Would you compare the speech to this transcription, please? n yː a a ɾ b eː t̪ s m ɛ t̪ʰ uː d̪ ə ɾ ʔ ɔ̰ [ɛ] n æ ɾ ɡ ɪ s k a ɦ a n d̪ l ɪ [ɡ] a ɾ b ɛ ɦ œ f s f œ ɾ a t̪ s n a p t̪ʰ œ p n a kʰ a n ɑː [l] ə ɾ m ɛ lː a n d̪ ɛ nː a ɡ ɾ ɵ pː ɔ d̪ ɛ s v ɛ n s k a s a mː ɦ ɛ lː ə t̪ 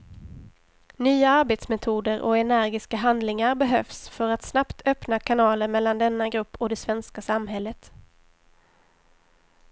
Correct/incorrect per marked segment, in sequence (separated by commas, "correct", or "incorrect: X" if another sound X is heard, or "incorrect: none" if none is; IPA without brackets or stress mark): correct, incorrect: ŋ, correct